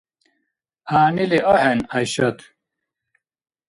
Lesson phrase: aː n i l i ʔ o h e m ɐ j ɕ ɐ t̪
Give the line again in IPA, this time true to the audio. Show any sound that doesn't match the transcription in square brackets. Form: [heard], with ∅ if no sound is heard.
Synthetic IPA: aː n i l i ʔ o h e [n] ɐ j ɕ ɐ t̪